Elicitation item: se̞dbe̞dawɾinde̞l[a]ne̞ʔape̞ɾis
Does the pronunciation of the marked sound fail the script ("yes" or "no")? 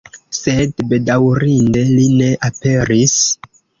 yes